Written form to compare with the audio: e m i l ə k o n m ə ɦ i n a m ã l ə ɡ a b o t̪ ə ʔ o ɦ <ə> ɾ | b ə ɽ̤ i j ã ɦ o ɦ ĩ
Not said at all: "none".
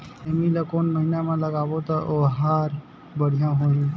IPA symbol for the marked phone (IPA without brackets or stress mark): a